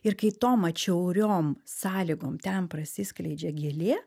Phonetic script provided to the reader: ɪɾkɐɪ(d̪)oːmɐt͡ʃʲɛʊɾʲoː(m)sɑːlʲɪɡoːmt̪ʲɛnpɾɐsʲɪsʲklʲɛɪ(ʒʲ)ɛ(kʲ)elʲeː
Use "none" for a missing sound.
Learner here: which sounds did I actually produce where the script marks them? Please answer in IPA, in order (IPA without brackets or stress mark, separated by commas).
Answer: t̪, m, d͡ʒʲ, ɡʲ